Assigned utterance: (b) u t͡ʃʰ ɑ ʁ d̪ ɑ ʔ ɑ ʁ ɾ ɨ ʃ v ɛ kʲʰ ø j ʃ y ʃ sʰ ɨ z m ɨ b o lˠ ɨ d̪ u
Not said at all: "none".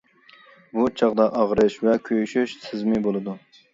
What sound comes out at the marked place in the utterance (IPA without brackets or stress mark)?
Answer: b